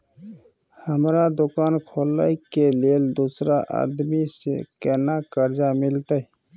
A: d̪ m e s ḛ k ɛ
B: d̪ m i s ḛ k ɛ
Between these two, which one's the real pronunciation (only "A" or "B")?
B